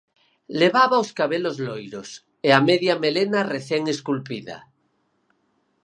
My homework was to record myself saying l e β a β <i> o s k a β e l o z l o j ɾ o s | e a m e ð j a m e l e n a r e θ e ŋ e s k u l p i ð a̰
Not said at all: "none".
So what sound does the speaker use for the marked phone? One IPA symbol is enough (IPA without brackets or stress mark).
a